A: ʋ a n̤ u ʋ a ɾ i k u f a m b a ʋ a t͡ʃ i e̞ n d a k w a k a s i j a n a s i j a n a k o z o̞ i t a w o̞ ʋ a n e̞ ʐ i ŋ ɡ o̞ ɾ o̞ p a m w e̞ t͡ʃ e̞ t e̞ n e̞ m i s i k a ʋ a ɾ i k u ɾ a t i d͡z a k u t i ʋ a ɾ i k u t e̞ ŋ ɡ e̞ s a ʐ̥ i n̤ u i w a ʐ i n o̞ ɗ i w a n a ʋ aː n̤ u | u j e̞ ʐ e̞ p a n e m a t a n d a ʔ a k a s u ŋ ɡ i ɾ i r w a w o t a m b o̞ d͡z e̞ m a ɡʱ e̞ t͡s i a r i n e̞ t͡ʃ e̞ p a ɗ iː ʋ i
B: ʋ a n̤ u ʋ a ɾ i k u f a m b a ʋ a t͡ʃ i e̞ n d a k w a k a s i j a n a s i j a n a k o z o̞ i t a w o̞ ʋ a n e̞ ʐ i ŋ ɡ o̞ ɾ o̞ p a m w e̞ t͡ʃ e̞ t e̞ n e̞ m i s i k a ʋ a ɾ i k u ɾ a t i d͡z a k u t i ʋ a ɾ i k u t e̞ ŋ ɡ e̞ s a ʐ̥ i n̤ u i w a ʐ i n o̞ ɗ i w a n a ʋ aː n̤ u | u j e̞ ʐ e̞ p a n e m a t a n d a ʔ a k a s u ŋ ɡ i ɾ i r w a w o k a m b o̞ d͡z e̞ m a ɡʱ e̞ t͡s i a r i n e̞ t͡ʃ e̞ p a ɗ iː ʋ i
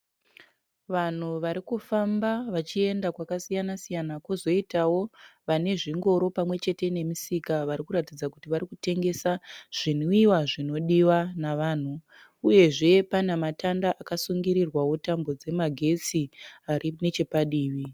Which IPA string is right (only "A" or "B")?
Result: A